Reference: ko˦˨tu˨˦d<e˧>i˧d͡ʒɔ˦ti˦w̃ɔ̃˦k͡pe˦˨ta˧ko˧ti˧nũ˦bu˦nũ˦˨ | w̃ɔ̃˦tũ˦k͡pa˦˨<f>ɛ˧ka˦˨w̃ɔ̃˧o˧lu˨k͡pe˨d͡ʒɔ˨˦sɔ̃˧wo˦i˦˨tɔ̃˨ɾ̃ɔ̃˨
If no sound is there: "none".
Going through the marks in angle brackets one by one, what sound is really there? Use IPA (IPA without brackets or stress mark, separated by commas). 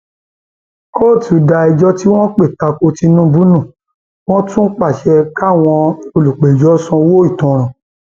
a˧, ʃ